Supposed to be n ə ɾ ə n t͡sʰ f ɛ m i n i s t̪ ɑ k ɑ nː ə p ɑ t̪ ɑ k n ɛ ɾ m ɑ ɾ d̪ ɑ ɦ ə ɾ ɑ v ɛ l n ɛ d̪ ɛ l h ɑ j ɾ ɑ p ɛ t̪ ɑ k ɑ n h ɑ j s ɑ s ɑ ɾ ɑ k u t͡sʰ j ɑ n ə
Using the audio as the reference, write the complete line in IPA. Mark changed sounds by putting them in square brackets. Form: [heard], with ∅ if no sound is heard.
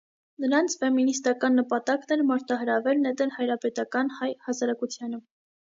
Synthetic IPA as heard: n ə ɾ [ɑ] n t͡sʰ f ɛ m i n i s t̪ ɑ k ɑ nː ə p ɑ t̪ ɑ k n ɛ ɾ m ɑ ɾ [t̪] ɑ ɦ ə ɾ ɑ v ɛ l n ɛ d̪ ɛ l h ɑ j ɾ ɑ p ɛ t̪ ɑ k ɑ n h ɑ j [h] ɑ s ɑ ɾ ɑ k u t͡sʰ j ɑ n ə